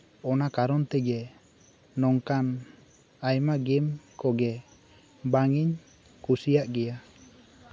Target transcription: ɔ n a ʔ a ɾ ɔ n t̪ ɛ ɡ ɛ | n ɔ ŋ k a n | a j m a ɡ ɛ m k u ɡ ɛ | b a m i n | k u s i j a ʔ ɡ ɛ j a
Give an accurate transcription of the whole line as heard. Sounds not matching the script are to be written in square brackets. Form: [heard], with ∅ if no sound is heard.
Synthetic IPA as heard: ɔ n a [k] a ɾ ɔ n t̪ ɛ ɡ ɛ | n ɔ ŋ k a n | a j m a ɡ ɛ m k [ɔ] ɡ ɛ | b a [ŋ] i [ɲ] | k u s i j a ʔ ɡ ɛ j a